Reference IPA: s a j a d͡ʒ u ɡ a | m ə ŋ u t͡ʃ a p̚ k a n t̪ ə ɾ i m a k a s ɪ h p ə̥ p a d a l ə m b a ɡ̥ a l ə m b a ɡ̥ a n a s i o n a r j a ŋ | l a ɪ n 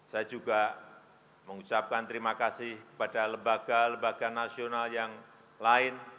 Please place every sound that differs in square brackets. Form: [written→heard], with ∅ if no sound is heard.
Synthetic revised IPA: s a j a d͡ʒ u ɡ a | m ə ŋ u t͡ʃ a p̚ k a n t̪ ə ɾ i m a k a s ɪ h [p→k] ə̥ p a d a l ə m b a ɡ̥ a l ə m b a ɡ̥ a n a s i o n a [r→l] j a ŋ | l a ɪ n